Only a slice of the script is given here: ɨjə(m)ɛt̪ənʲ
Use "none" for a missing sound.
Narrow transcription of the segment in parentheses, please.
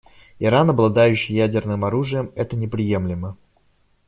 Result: m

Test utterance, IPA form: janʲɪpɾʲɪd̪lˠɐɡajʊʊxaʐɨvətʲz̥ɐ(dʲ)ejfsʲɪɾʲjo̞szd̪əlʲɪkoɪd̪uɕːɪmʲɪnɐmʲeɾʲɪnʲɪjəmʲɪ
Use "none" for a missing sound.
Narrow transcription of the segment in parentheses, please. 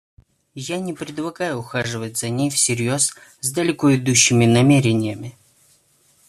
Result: nʲ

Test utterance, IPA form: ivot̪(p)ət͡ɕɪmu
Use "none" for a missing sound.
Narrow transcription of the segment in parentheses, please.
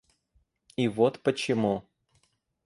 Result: p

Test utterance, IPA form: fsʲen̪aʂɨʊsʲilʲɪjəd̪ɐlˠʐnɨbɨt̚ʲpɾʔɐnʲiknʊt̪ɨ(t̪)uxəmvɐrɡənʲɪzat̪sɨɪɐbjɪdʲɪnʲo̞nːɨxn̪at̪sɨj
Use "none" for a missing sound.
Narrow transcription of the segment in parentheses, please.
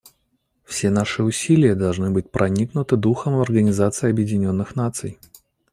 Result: d̪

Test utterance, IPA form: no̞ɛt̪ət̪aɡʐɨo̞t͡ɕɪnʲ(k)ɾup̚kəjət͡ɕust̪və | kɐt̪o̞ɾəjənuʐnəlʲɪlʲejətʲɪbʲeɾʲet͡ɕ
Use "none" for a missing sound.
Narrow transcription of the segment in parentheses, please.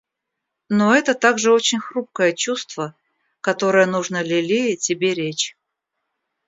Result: x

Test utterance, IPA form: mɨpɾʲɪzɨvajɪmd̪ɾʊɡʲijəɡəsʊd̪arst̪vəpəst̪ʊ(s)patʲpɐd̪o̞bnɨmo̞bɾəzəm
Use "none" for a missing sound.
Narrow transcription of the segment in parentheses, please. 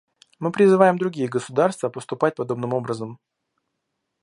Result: none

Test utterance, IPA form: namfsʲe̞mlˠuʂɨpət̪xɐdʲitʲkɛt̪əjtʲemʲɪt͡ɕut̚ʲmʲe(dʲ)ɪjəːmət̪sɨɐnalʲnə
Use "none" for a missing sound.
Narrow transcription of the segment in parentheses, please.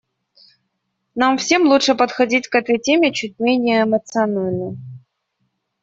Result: nʲ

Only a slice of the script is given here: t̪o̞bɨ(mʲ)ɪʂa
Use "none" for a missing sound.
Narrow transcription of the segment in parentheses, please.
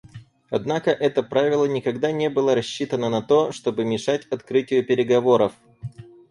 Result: mʲ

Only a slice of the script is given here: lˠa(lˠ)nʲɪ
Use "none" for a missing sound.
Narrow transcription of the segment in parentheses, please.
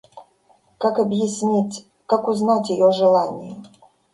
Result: none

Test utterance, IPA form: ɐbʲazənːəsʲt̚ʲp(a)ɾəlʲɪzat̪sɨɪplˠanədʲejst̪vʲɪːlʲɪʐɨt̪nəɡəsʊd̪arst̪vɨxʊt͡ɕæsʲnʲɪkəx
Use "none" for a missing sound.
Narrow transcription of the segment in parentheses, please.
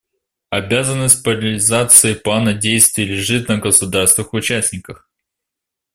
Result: ə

